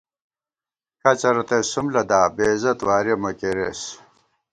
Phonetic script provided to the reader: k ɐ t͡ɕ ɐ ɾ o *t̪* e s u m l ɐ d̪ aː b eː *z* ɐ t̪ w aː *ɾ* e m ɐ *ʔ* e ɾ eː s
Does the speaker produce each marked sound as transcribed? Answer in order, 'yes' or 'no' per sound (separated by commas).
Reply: yes, yes, yes, no